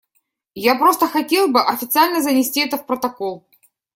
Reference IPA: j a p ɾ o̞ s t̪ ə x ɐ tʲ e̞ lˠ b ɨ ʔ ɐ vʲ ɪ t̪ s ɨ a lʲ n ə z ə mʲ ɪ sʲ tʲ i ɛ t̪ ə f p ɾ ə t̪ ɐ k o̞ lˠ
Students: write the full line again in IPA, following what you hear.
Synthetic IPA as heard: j a p ɾ o̞ s t̪ ə x ɐ tʲ e̞ lˠ b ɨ ʔ ɐ fʲ ɪ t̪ s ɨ a lʲ n ə z ə nʲ ɪ sʲ tʲ i ɛ t̪ ə f p ɾ ə t̪ ɐ k o̞ lˠ